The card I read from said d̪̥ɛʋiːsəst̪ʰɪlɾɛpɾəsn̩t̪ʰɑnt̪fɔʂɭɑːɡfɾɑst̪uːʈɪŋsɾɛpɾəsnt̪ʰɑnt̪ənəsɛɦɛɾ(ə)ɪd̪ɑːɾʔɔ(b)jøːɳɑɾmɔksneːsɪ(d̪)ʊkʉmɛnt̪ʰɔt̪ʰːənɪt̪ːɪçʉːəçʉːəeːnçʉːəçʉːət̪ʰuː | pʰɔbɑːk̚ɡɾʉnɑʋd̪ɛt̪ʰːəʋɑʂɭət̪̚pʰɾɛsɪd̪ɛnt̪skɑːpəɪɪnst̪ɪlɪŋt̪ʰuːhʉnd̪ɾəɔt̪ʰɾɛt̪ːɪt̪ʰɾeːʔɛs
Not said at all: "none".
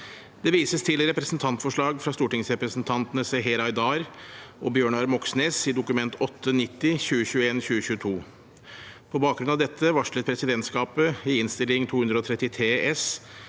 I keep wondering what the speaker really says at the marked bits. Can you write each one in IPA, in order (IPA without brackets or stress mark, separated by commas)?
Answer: ɑ, b, d̪